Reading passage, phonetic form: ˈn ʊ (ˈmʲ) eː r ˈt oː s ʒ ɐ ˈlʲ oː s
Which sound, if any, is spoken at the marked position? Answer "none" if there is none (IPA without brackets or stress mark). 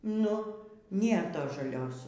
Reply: nʲ